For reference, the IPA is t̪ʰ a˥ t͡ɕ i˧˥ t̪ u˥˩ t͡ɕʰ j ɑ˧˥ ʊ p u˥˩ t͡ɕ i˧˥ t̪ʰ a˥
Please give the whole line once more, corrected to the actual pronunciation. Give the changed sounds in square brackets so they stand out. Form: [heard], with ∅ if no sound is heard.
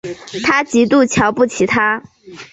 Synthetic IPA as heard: t̪ʰ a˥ t͡ɕ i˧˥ t̪ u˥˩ t͡ɕʰ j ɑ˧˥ ʊ p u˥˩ [t͡ɕʰ] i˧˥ t̪ʰ a˥